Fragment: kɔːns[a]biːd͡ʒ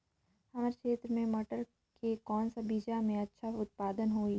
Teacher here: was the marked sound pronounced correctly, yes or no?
yes